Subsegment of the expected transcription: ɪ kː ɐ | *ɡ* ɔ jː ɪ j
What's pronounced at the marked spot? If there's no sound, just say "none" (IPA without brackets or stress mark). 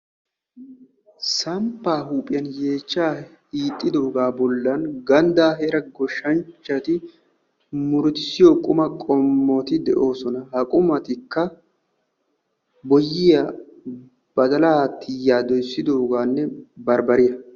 b